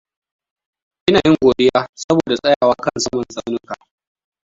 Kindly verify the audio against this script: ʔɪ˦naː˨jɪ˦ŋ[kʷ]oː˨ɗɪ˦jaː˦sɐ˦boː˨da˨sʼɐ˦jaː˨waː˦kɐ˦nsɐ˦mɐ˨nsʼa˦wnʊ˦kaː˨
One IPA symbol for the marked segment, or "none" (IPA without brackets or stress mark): ɡʷ